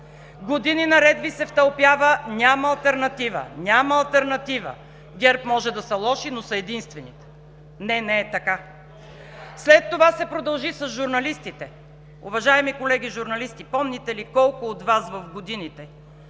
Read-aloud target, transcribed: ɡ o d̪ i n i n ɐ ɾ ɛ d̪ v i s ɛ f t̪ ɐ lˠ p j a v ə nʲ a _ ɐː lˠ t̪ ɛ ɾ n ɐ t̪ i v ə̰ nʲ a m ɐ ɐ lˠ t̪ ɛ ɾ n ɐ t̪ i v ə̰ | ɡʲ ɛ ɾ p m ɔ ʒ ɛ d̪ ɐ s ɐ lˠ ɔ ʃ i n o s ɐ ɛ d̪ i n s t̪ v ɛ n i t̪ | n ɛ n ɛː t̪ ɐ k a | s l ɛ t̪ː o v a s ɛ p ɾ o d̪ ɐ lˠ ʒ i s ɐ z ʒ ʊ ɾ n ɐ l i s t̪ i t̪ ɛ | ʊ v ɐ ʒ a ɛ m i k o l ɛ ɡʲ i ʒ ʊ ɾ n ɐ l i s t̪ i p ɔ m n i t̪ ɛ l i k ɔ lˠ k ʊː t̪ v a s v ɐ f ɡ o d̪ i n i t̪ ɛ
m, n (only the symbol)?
m